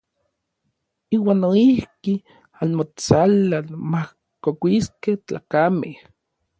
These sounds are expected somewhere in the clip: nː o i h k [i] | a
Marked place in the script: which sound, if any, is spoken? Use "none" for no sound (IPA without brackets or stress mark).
i